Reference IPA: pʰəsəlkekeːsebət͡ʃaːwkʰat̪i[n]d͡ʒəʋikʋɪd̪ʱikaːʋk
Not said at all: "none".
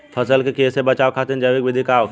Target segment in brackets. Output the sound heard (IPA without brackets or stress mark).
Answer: n